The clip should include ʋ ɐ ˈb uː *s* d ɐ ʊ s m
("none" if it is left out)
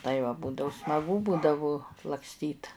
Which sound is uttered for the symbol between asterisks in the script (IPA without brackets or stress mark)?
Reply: none